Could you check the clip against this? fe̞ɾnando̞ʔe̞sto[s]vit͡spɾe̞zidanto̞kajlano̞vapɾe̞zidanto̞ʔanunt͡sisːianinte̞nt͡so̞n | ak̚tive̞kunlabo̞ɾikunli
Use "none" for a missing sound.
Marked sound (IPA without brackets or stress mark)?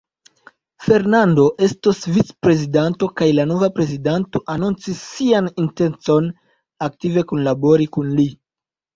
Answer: s